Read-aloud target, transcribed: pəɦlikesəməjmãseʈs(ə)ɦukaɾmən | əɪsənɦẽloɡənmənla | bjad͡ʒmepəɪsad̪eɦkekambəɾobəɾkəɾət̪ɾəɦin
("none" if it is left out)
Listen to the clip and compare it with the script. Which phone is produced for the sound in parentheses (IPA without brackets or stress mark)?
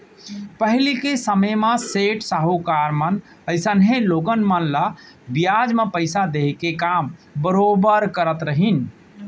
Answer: a